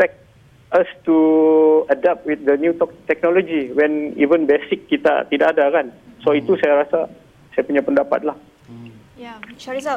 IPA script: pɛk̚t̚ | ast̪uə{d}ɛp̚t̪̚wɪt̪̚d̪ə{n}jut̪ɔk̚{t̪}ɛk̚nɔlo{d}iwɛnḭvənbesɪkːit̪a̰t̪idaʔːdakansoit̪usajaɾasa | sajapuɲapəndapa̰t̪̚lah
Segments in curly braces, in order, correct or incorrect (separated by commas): correct, correct, correct, incorrect